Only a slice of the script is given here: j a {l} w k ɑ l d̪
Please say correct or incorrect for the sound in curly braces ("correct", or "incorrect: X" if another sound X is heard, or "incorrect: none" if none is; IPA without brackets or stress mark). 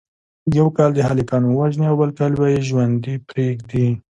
incorrect: none